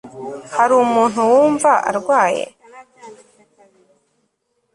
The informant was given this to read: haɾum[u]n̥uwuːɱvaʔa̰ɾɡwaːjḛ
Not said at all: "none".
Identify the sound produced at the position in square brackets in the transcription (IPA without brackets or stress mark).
uː